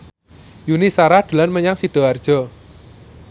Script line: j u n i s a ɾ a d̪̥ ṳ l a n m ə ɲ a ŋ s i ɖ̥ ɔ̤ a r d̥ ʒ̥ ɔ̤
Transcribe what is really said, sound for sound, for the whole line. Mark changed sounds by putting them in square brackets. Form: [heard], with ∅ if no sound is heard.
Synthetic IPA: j u n i s a ɾ a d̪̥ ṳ l a n m ə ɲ a ŋ s i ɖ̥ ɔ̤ a r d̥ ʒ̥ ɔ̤